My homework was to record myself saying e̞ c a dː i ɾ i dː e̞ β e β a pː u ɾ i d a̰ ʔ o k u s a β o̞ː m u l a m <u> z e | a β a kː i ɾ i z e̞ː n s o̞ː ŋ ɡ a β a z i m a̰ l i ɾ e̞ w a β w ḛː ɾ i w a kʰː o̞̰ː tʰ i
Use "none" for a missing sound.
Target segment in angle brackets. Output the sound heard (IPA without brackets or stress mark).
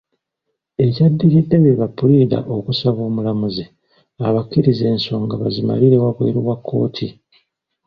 u